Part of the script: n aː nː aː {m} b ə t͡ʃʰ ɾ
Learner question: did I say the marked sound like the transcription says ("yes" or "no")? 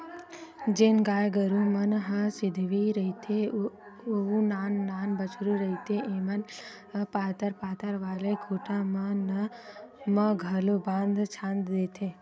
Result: no